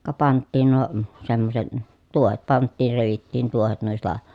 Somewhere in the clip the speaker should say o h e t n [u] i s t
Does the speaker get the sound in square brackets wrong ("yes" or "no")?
no